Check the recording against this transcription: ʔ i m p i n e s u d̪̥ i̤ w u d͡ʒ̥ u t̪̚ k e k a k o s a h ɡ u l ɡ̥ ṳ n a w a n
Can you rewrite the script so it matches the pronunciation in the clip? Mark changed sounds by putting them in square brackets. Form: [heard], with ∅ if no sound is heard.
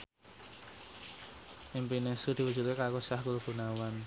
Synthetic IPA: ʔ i m p i n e s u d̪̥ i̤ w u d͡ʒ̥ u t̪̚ k e k a k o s a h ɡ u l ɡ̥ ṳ n a w a n

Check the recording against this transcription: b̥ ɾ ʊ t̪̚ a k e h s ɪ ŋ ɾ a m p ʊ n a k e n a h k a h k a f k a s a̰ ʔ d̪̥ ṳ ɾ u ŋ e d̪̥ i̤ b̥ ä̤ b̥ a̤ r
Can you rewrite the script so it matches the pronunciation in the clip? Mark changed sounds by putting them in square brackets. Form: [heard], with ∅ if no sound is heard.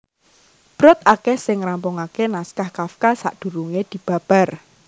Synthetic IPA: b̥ ɾ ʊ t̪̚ a k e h s ɪ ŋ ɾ a m p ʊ [ŋ] a k e n a [s] k a h k a f k a s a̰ ʔ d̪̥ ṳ ɾ u ŋ e d̪̥ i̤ b̥ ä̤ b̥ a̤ r

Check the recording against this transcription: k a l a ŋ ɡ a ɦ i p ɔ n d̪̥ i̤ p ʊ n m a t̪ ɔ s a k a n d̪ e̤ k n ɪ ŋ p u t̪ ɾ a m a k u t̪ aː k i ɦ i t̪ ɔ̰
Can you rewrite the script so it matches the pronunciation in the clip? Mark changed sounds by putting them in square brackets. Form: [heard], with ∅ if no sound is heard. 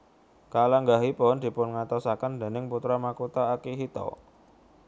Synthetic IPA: k a l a ŋ ɡ a ɦ i p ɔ n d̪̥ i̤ p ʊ n [ŋ] a t̪ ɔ s a k a n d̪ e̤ [∅] n ɪ ŋ p u t̪ ɾ a m a k u t̪ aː k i ɦ i t̪ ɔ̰

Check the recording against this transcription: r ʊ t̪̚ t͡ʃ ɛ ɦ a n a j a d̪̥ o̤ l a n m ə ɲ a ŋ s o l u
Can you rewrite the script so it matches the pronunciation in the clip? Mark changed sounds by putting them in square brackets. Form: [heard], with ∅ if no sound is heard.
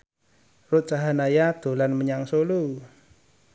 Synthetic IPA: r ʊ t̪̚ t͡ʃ [a] ɦ a n a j a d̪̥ o̤ l a n m ə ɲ a ŋ s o l u

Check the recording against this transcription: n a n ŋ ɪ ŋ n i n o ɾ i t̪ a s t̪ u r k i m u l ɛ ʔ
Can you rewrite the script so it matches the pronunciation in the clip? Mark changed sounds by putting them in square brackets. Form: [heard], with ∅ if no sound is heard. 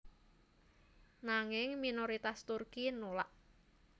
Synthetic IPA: n a [∅] ŋ ɪ ŋ [m] i n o ɾ i t̪ a s t̪ u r k i [n] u l [a] ʔ

